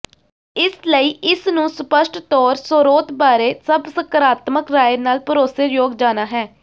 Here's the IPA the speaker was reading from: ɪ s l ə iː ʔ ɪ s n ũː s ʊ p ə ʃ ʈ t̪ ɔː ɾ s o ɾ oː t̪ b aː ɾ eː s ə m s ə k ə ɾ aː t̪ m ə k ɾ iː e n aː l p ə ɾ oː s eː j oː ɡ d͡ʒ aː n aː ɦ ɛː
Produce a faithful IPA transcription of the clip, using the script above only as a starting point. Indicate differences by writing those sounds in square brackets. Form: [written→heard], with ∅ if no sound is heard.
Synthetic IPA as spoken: ɪ s l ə iː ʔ ɪ s n ũː s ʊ p ə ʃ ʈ t̪ ɔː ɾ s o ɾ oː t̪ b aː ɾ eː s ə [m→b] s ə k ə ɾ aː t̪ m ə k ɾ [iː→aː] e n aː l p ə ɾ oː s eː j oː ɡ d͡ʒ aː n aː ɦ ɛː

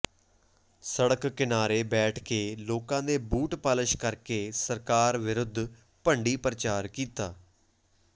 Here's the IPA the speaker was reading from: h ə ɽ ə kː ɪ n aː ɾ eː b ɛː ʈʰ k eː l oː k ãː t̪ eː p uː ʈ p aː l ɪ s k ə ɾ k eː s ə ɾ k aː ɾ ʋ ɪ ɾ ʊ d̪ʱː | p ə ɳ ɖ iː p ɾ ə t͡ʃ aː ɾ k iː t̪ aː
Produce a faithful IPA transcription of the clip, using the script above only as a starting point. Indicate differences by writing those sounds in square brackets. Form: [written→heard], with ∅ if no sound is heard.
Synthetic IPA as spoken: [h→s] ə ɽ ə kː ɪ n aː ɾ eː b ɛː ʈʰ k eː l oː k ãː [t̪→d̪] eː [p→b] uː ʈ p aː l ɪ [s→ʃ] k ə ɾ k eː s ə ɾ k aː ɾ ʋ ɪ ɾ ʊ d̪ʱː | p ə ɳ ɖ iː p ɾ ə t͡ʃ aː ɾ k iː t̪ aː

